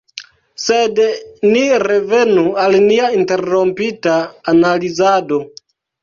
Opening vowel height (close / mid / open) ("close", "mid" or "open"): mid